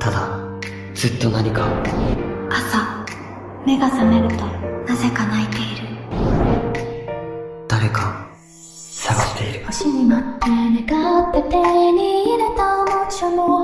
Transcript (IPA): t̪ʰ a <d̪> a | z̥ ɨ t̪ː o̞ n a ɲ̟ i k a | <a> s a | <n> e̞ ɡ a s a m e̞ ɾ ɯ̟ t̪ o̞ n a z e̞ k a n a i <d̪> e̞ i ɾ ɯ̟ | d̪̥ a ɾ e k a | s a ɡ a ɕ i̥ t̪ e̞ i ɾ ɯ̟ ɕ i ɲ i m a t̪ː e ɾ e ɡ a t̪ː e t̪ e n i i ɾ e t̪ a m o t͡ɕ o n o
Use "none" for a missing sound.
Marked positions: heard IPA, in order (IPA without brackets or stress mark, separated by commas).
d̪, a, m, t̪